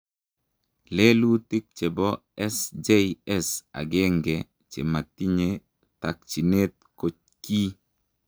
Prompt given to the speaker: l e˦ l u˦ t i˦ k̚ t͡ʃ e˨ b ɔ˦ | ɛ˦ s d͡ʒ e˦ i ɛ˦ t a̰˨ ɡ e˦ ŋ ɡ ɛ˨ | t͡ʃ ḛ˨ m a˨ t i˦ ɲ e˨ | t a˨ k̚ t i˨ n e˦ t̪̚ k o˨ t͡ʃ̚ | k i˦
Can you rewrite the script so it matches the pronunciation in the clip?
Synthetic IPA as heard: l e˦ l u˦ t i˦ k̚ t͡ʃ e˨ b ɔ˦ | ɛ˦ s d͡ʒ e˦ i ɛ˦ s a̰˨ ɡ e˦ ŋ ɡ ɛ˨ | t͡ʃ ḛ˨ m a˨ t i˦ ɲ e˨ | t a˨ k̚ t͡ʃ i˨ n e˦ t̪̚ k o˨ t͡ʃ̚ | k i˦